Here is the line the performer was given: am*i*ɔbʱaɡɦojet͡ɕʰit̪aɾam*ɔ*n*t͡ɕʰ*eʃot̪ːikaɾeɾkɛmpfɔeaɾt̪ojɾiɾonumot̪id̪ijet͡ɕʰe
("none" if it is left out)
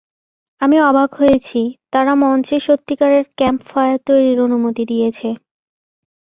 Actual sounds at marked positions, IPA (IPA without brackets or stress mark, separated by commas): i, ɔ, t͡ɕ